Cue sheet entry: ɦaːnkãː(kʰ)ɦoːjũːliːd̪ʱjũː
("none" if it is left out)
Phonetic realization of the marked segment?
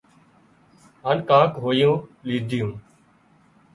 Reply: k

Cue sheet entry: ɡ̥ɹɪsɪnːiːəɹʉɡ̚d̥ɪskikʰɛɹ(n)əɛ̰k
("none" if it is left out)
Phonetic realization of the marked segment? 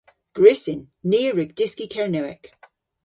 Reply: n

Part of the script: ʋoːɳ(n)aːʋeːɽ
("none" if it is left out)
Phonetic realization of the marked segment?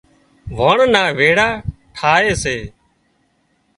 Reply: n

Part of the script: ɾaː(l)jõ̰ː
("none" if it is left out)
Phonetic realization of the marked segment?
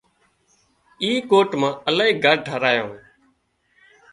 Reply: none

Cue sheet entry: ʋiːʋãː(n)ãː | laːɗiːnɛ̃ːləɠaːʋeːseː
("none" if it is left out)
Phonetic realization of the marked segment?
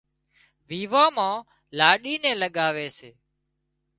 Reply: m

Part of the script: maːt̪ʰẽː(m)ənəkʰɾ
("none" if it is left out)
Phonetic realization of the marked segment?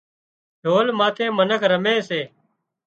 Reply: m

